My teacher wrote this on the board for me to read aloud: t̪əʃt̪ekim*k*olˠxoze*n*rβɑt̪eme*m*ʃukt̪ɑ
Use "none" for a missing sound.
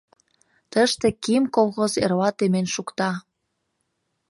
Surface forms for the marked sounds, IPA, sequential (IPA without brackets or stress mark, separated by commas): k, none, n